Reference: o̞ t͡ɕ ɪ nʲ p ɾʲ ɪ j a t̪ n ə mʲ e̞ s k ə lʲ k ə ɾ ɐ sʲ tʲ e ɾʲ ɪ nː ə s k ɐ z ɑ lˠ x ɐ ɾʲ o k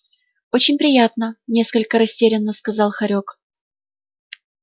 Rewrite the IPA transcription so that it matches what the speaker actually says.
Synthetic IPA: o̞ t͡ɕ ɪ nʲ p ɾʲ ɪ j a t̪ n ə nʲ e̞ s k ə lʲ k ə ɾ ɐ sʲ tʲ e ɾʲ ɪ nː ə s k ɐ z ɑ lˠ x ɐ ɾʲ o k